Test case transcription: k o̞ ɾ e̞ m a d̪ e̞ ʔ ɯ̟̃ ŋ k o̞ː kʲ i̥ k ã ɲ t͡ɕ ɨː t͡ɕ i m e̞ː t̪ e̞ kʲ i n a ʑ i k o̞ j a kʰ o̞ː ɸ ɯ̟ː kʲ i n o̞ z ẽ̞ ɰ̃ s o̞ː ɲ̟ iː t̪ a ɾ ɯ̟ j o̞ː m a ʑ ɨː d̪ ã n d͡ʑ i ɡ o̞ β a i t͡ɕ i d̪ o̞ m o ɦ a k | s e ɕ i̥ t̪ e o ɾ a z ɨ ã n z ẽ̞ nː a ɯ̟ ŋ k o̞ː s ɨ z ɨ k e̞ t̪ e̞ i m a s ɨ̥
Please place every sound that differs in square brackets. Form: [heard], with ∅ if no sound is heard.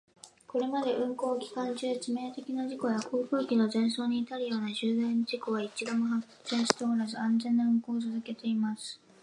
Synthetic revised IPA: k o̞ ɾ e̞ m a d̪ e̞ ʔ ɯ̟̃ ŋ k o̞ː kʲ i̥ k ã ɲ t͡ɕ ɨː t͡ɕ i m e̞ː t̪ e̞ kʲ i n a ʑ i k o̞ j a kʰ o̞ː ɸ ɯ̟ː kʲ i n o̞ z ẽ̞ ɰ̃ s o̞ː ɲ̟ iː t̪ a ɾ ɯ̟ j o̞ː [n] a ʑ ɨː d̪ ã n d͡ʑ i [k] o̞ β a i t͡ɕ i d̪ o̞ m o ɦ a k | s e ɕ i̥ t̪ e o ɾ a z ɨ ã n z ẽ̞ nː a ɯ̟ ŋ k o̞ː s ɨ z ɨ k e̞ t̪ e̞ i m a s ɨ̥